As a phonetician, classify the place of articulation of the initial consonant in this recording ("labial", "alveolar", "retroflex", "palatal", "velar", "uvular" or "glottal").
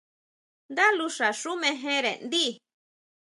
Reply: alveolar